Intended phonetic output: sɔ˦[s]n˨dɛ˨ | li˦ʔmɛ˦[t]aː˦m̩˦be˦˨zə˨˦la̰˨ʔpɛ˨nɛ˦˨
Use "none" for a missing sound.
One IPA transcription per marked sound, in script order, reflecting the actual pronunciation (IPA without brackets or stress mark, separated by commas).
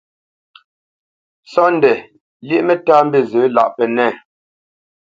none, t